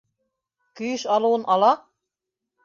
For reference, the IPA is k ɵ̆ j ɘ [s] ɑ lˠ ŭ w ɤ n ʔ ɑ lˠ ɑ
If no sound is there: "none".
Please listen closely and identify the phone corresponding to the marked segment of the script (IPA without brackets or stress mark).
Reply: ʃ